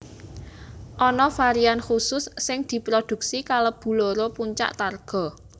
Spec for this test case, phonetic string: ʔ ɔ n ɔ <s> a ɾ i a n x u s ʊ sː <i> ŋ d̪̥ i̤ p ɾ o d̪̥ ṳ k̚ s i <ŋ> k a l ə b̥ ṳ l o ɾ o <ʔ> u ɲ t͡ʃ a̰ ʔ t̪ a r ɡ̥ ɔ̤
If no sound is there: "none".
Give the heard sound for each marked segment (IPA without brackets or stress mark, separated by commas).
f, ɪ, none, p